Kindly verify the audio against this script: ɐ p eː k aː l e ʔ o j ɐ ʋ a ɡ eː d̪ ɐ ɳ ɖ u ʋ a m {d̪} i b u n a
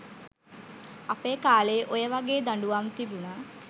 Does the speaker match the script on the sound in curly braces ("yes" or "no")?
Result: no